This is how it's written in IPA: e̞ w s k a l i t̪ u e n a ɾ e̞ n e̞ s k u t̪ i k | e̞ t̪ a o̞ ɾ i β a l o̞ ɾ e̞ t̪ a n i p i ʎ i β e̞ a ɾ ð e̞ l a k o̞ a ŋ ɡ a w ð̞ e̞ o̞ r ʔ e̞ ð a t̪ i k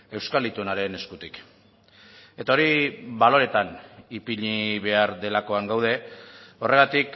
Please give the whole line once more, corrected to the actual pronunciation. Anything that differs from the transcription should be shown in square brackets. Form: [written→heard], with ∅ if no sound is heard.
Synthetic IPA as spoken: e̞ w s k a l i t̪ u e n a ɾ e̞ n e̞ s k u t̪ i k | e̞ t̪ a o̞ ɾ i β a l o̞ ɾ e̞ t̪ a n i p i ʎ i β e̞ a ɾ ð e̞ l a k o̞ a ŋ ɡ a w ð̞ e̞ o̞ r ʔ e̞ [ð→ɣ] a t̪ i k